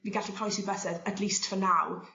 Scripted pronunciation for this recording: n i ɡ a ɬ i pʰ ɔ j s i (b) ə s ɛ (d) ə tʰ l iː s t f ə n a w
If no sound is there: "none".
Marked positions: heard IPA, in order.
b, d

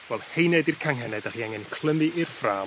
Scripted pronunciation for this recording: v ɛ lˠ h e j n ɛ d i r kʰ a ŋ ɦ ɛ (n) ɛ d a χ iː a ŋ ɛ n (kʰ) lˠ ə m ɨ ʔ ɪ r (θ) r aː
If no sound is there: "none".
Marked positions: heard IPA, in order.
n, kʰ, f

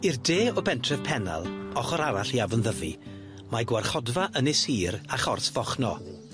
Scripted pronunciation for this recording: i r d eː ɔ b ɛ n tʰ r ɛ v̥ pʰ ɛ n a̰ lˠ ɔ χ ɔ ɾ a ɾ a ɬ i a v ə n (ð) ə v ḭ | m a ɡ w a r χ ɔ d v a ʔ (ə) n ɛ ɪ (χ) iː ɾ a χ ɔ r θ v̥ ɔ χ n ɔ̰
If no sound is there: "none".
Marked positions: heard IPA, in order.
ð, ə, s

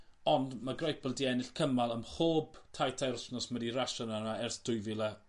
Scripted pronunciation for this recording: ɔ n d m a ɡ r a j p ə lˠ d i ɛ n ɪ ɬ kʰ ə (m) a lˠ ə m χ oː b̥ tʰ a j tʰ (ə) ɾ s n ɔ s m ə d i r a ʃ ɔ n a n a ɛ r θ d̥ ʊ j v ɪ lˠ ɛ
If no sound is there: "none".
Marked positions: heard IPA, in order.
m, a

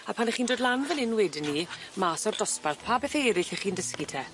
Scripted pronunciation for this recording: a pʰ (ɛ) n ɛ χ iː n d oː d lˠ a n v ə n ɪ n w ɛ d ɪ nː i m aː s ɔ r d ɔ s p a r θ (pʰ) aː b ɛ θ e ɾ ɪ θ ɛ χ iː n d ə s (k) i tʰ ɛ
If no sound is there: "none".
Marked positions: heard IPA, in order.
a, pʰ, k

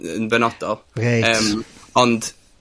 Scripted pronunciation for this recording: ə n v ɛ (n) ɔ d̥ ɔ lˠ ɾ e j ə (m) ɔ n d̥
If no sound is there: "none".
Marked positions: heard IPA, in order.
n, m

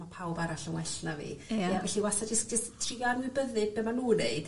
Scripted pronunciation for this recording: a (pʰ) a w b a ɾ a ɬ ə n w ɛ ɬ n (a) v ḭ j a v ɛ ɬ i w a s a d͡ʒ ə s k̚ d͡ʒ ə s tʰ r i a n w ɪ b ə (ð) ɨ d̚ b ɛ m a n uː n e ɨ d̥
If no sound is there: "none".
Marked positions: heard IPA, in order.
pʰ, a, ð

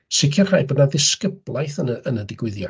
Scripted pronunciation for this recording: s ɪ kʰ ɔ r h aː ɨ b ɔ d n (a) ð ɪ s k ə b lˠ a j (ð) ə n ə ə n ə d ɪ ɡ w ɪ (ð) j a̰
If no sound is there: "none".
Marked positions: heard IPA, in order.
a, θ, ð

